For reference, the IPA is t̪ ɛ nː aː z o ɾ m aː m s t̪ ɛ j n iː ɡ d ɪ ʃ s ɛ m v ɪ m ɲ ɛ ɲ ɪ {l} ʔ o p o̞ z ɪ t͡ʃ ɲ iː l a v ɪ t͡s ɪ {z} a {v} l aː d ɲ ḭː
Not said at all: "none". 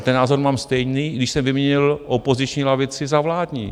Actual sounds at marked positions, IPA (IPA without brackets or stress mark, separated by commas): l, z, v